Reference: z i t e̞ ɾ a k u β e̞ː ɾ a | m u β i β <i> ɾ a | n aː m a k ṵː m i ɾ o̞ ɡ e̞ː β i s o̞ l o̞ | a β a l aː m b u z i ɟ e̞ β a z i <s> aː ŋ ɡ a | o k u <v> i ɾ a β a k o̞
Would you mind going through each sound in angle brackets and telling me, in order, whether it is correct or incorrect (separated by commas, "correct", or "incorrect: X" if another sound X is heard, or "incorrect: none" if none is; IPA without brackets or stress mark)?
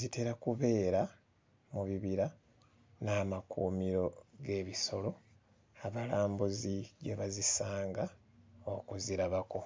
correct, correct, incorrect: z